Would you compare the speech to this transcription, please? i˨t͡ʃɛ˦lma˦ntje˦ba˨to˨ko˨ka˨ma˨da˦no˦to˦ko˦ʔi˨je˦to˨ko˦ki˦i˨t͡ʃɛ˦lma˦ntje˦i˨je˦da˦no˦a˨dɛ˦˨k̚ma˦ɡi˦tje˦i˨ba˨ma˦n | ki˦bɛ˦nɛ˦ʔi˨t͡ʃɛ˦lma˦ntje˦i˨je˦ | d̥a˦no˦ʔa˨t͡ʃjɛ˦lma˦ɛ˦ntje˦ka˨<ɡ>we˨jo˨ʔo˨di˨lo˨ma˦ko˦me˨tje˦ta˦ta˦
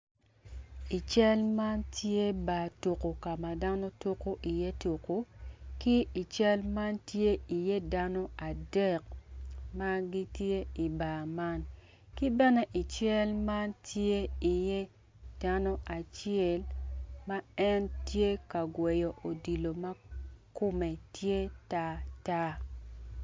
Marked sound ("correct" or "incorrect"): correct